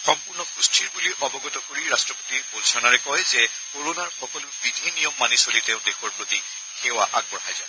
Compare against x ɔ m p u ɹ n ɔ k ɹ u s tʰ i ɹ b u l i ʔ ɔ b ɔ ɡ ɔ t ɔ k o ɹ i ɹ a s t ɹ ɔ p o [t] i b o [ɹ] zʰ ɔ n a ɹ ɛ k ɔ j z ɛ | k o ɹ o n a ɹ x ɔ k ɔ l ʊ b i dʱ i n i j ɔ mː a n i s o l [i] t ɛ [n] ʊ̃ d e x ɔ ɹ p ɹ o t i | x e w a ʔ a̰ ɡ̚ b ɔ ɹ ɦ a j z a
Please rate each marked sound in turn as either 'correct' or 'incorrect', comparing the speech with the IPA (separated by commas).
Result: correct, incorrect, correct, incorrect